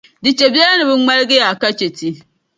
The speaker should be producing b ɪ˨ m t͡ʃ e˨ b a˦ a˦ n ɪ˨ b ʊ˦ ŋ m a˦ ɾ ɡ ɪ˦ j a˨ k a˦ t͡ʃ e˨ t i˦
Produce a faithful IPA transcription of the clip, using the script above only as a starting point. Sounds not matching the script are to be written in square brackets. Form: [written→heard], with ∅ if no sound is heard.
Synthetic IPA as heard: [b→d] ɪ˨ [m→∅] t͡ʃ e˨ b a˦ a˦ n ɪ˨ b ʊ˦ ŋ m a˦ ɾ ɡ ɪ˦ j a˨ k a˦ t͡ʃ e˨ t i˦